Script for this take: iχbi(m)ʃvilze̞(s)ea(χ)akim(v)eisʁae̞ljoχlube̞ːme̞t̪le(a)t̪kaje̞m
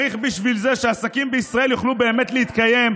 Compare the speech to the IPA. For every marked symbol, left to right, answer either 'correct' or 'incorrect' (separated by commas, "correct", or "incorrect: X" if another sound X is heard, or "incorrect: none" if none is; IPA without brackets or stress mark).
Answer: incorrect: none, incorrect: ʃ, incorrect: s, incorrect: b, incorrect: i